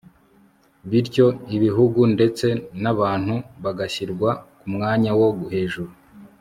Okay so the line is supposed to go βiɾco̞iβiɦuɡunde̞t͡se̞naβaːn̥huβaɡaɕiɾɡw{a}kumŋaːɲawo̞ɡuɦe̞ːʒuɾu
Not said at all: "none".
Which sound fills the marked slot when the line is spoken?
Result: a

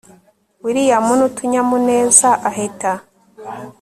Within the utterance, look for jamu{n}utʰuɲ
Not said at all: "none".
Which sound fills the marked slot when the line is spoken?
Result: n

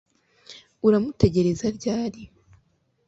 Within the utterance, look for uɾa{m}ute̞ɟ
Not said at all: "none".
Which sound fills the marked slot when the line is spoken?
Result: m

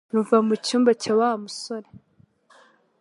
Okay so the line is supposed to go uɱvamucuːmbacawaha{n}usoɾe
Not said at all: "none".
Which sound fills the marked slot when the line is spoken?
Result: m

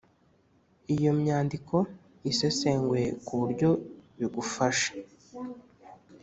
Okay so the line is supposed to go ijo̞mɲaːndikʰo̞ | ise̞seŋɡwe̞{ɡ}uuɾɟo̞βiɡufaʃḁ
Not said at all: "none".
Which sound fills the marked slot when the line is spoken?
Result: k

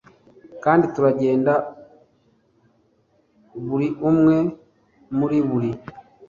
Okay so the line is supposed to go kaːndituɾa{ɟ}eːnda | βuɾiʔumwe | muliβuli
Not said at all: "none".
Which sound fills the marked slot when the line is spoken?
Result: ɟ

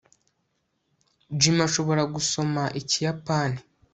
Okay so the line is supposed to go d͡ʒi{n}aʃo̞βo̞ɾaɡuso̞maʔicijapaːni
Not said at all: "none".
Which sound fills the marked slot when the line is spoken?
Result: m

